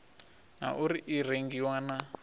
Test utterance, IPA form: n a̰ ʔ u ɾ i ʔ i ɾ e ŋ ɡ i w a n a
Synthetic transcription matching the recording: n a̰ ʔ u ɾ i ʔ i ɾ e ŋ ɡ i w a n a